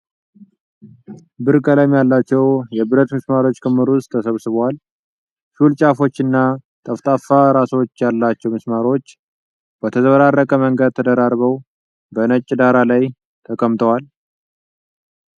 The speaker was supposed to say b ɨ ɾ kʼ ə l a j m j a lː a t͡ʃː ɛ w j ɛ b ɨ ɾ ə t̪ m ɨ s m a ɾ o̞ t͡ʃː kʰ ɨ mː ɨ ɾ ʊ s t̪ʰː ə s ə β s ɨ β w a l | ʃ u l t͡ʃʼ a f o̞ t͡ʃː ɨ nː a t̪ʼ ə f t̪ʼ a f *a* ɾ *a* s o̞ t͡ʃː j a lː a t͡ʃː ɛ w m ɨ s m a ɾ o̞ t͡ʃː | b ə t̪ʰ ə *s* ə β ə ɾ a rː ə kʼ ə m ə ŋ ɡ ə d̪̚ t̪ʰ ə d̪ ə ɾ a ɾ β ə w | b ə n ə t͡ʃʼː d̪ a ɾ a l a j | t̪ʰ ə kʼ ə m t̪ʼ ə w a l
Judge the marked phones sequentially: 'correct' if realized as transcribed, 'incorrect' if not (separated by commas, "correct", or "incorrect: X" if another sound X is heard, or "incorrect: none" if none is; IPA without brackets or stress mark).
correct, correct, incorrect: z